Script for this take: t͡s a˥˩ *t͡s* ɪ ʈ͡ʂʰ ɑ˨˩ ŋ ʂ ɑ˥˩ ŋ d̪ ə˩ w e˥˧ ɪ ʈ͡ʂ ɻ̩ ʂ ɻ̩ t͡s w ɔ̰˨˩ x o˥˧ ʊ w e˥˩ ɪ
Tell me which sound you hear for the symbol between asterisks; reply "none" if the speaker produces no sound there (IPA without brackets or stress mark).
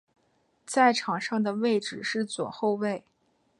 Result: none